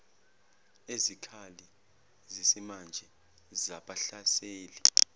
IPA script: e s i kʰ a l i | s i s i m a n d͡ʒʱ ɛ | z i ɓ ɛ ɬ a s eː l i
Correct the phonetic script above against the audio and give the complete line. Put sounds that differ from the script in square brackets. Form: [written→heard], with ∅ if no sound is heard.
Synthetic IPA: e [s→z] i kʰ a l i | [s→z] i s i m a n d͡ʒʱ ɛ | z [i→a] ɓ [ɛ→a] ɬ a s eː l i